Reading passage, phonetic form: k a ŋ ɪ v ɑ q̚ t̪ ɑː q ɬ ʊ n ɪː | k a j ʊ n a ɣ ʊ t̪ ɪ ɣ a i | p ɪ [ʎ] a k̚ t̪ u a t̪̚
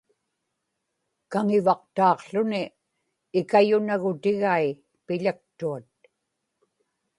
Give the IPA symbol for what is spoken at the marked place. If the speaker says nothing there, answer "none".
ʎ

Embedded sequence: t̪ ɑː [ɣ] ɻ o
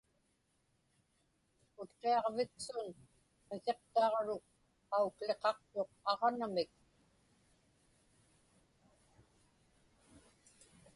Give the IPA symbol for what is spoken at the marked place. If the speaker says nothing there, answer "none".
ʁ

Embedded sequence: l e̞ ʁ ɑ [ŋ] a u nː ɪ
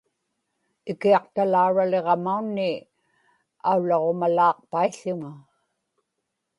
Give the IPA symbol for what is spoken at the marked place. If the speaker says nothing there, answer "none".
m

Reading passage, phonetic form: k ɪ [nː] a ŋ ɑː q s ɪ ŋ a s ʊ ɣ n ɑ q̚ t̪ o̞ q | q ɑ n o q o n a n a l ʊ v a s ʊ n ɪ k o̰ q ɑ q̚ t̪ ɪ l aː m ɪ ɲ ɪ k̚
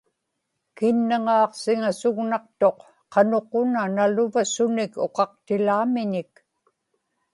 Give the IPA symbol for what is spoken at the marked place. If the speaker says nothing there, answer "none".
nː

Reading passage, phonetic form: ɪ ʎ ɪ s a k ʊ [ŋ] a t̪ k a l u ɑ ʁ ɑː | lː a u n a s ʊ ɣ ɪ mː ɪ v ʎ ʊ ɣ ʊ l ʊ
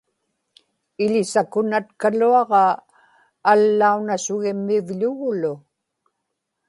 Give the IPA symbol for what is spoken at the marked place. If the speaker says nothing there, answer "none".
n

